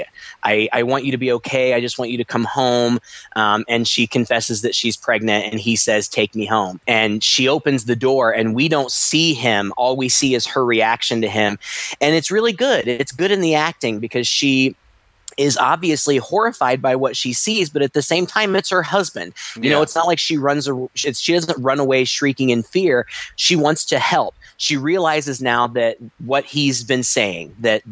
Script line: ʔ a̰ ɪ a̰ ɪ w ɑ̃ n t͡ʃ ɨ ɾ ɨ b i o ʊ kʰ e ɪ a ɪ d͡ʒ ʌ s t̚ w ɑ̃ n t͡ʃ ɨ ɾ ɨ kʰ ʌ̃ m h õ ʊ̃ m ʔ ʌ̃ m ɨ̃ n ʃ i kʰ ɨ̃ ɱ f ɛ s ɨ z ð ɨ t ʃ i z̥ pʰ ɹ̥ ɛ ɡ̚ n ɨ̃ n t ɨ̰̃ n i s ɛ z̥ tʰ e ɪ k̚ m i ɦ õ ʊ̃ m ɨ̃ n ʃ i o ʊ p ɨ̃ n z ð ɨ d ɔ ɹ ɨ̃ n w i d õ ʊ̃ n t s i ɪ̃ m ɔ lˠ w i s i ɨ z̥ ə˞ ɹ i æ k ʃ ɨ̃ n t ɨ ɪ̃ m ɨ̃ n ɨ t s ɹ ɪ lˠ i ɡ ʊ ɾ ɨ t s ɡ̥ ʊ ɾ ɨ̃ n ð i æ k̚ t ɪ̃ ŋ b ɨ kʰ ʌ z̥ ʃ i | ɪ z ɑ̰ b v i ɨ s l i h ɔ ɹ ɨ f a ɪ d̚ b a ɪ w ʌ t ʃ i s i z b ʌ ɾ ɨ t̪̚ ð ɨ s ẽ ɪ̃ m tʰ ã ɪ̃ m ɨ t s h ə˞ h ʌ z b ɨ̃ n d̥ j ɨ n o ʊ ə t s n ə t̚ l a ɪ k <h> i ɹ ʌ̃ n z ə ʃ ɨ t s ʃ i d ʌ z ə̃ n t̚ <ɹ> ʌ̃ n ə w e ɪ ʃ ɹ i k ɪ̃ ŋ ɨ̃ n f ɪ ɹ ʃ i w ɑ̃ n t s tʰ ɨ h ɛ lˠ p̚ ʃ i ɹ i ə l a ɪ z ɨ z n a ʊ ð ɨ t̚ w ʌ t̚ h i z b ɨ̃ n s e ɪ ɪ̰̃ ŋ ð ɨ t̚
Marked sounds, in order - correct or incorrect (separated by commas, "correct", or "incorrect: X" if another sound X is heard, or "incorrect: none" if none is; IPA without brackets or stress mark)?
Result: incorrect: ʃ, correct